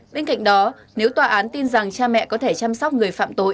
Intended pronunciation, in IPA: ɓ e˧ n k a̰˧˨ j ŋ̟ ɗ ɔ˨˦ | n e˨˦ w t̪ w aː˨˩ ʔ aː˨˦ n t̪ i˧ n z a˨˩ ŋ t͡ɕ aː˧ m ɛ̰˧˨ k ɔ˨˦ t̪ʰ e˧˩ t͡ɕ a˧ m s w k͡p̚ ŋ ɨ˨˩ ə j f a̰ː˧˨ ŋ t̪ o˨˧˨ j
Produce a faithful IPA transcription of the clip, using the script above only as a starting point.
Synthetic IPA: ɓ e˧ n k a̰˧˨ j ŋ̟ ɗ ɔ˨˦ | n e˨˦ w t̪ w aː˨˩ ʔ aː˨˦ n t̪ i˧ n z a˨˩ ŋ t͡ɕ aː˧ m ɛ̰˧˨ k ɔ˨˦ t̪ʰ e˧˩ t͡ɕ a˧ m s w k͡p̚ ŋ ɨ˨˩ ə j f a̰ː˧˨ m t̪ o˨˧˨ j